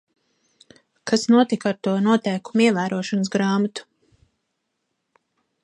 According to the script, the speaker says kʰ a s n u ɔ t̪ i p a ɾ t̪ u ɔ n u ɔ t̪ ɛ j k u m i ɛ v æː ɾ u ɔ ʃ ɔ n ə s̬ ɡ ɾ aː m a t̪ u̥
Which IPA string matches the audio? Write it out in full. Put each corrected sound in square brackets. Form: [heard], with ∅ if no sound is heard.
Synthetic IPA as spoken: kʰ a s n u ɔ t̪ i [k] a ɾ t̪ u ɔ n u ɔ t̪ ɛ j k u m i ɛ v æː ɾ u ɔ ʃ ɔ n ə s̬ ɡ ɾ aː m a t̪ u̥